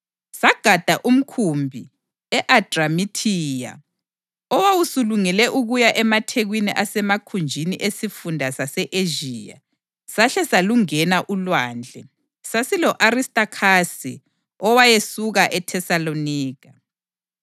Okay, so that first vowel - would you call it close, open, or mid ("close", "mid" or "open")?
open